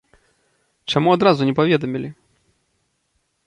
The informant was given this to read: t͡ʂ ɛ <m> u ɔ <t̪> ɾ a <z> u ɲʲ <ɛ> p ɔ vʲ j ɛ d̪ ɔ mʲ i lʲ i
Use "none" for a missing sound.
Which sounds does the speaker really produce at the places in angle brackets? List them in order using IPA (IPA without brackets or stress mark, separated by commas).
m, d̪, z, ɛ